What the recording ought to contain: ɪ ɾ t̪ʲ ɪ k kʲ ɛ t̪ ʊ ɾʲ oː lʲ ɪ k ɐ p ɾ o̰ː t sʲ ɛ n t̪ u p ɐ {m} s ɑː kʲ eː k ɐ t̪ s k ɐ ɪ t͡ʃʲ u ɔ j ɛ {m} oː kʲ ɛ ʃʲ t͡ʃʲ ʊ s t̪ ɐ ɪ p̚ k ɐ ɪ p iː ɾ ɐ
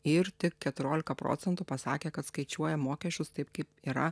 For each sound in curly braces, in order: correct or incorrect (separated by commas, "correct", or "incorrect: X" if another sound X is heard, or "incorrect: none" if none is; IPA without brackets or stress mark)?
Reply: incorrect: none, correct